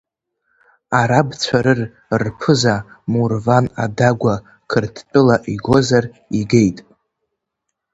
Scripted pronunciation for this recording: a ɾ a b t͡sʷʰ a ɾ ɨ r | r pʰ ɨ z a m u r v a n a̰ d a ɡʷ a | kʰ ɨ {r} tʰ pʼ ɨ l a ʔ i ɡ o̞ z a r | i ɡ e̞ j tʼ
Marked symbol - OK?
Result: yes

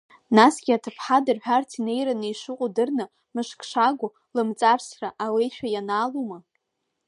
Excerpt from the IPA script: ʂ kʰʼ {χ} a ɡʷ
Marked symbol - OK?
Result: no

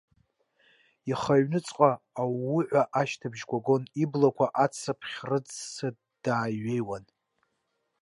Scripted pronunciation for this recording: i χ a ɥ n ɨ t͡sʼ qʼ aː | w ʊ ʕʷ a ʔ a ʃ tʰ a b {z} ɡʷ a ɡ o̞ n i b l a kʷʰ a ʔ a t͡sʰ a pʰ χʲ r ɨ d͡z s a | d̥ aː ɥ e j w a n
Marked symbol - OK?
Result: no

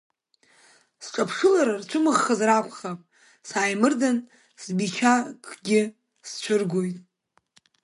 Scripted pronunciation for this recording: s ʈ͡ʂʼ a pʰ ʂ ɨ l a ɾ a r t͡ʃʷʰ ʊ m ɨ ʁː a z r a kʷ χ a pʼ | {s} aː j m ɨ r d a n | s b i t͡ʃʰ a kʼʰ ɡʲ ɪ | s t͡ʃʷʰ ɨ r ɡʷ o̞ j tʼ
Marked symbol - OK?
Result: yes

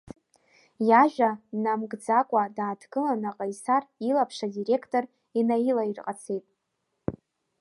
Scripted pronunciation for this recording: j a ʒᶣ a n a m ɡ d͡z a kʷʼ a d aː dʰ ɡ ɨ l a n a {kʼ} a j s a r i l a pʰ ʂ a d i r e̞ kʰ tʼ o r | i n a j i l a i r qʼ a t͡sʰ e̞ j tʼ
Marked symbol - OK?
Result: no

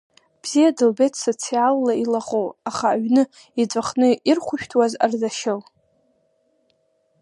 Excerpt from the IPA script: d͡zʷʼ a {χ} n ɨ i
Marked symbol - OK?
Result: yes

